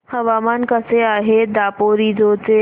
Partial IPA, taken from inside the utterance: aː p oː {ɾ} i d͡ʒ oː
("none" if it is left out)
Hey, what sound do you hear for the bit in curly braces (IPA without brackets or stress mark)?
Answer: ɾ